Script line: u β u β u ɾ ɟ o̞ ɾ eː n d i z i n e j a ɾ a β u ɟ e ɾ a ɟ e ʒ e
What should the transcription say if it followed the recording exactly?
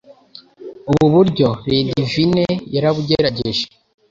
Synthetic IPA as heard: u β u β u ɾ ɟ o̞ ɾ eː n d i v i n e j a ɾ a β u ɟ e ɾ a ɟ e ʒ e